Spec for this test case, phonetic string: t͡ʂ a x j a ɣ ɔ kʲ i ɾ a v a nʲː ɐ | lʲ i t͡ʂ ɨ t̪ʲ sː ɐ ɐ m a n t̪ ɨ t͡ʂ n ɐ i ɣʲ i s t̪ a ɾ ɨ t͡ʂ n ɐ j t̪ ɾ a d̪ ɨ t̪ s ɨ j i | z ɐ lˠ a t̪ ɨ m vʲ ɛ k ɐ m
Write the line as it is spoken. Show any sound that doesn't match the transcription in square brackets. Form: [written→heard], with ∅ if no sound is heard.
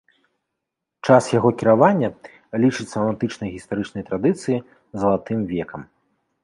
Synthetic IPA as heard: t͡ʂ a [x→s] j a ɣ ɔ kʲ i ɾ a v a nʲː ɐ | lʲ i t͡ʂ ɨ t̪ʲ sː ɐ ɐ m a n t̪ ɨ t͡ʂ n ɐ [i→j] ɣʲ i s t̪ a ɾ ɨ t͡ʂ n ɐ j t̪ ɾ a d̪ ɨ t̪ s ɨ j i | z ɐ lˠ a t̪ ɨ m vʲ ɛ k ɐ m

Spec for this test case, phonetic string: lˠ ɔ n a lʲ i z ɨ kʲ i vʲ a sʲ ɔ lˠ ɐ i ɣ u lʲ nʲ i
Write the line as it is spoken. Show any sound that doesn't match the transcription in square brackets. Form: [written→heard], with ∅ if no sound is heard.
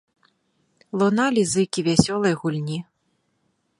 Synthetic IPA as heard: lˠ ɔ n a lʲ i z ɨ kʲ i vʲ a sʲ ɔ lˠ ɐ [i→j] ɣ u lʲ nʲ i

